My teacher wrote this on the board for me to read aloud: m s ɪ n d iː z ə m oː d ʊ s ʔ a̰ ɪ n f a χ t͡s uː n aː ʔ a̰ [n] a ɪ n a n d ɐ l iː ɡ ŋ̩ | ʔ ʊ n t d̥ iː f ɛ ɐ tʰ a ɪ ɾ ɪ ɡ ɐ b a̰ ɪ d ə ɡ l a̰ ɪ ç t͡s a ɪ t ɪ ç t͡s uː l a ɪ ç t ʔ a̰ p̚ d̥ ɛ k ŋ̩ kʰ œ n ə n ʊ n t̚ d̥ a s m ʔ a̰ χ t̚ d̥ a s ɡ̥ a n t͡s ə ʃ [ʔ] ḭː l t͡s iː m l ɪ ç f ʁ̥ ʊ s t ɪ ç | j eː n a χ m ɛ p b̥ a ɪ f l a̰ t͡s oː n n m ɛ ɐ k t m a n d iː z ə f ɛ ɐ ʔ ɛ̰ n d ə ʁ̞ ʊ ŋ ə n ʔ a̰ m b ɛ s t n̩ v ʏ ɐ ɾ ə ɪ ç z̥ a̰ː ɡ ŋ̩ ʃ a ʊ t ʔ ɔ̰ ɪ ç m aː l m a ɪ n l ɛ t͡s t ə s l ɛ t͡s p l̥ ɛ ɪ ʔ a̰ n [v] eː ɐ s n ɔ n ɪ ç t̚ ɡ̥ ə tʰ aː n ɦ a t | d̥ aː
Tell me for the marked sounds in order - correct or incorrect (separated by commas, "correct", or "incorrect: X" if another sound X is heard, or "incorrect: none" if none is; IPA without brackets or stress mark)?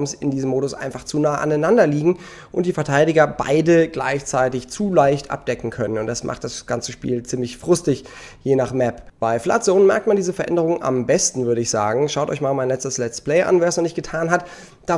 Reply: correct, incorrect: p, correct